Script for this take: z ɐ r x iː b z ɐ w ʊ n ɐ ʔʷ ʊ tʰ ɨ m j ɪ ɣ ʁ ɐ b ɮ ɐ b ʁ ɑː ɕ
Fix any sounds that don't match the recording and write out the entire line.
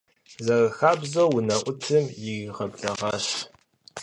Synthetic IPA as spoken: z ɐ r x aː b z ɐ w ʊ n ɐ ʔʷ ʊ tʰ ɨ m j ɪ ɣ ʁ ɐ b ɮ ɐ ʁ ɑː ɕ